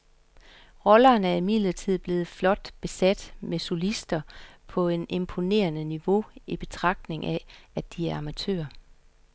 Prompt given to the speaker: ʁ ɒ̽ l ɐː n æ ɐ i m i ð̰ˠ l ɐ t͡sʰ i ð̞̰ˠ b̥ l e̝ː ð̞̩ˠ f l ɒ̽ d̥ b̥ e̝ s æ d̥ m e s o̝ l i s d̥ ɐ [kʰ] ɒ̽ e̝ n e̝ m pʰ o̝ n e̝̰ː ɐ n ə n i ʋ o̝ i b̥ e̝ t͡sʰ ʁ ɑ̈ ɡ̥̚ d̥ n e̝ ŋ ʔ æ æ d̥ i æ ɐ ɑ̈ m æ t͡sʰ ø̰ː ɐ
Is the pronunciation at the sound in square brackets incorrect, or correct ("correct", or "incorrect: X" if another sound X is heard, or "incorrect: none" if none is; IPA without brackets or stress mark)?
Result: incorrect: pʰ